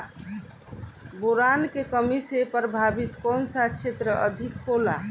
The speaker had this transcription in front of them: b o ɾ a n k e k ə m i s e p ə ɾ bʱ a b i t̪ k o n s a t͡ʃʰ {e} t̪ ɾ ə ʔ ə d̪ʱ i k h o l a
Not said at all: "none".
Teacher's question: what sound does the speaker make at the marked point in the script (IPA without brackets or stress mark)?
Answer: e